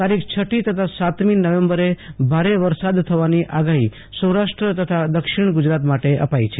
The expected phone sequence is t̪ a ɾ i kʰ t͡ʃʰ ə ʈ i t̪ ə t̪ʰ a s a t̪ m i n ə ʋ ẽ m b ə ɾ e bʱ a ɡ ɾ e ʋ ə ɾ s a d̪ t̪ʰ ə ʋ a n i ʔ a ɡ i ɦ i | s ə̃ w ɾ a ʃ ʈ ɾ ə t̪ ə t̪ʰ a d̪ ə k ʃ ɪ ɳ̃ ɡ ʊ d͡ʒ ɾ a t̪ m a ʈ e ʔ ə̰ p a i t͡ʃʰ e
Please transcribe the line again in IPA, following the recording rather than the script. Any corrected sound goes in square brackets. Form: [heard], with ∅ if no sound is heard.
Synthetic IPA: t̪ a ɾ i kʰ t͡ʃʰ ə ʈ i t̪ ə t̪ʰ a s a t̪ m i n ə ʋ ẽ m b ə ɾ e bʱ a [∅] ɾ e ʋ ə ɾ s a d̪ t̪ʰ ə ʋ a n i ʔ a ɡ [a] ɦ i | s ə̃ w ɾ a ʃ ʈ ɾ ə t̪ ə t̪ʰ a d̪ ə k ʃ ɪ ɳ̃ ɡ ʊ d͡ʒ ɾ a t̪ m a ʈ e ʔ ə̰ p a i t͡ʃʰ e